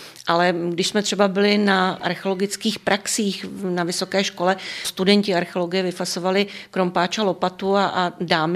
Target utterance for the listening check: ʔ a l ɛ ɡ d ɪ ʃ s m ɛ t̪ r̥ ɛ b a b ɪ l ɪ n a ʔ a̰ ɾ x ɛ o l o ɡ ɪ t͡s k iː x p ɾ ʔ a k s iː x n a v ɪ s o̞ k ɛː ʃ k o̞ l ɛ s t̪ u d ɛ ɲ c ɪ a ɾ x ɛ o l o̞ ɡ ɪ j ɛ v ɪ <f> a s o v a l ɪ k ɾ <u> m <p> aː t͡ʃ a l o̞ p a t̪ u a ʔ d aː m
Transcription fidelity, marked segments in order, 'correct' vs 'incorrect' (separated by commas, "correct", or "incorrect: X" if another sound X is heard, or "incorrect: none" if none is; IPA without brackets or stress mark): correct, incorrect: o, correct